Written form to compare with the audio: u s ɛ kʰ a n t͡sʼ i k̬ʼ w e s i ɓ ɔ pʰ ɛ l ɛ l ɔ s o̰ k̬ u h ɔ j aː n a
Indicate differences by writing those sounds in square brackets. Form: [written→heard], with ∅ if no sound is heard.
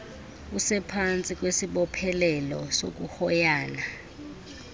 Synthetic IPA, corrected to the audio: u s ɛ [kʰ→pʰ] a n t͡sʼ i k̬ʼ w e s i ɓ ɔ pʰ ɛ l ɛ l ɔ s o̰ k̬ u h ɔ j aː n a